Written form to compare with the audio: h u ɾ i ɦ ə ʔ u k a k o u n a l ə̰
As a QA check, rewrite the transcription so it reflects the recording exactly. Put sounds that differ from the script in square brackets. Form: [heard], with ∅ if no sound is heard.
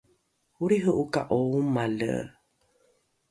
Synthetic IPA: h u ɾ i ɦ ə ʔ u k a [ʔ] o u [m] a l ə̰

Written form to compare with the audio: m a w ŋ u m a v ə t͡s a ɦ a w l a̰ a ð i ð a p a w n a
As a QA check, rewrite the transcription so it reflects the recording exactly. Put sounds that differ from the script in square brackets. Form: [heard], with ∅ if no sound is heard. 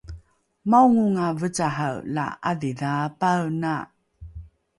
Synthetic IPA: m a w ŋ u [ŋ] a v ə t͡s a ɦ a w l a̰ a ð i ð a p a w n a

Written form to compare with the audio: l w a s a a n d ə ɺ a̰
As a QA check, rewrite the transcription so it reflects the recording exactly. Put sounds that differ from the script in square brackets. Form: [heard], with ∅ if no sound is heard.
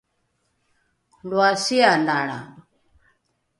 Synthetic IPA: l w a s [i] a n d [a] ɺ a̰

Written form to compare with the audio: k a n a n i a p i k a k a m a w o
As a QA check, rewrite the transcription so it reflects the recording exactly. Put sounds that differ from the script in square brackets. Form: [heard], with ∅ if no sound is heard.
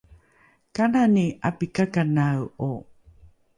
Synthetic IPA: k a n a n i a p i k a k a [n] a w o

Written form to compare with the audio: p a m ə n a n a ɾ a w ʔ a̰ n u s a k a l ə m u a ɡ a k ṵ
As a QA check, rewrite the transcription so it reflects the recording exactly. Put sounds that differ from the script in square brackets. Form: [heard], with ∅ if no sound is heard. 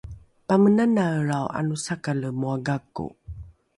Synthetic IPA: p a m ə n a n a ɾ a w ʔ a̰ n u s a k a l ə m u a ɡ a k ṵ

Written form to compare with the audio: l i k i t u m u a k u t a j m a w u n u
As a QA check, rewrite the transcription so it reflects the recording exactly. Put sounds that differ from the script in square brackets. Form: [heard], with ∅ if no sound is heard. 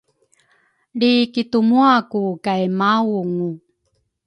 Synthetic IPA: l i k i t u m u a k u [k] a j m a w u [ŋ] u

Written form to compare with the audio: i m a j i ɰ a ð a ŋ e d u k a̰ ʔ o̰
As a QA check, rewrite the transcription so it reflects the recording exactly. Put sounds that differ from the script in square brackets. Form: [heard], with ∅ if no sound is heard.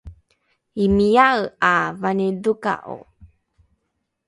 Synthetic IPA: i m [i] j [a] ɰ a [v] a [n] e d u k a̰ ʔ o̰

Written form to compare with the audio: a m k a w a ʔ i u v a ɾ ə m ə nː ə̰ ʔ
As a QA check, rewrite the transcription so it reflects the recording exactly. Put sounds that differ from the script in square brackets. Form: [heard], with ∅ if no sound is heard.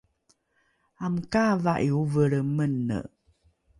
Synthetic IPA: a m k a [v] a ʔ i u v [ə] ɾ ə m ə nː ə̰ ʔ

